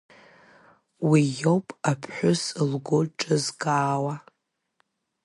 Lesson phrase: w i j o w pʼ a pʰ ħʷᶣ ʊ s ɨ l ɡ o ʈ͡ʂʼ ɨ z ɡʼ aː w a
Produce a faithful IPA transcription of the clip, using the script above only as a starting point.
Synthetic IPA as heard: w i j o w pʼ a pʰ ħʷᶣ ʊ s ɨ l ɡ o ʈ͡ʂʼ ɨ z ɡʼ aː w a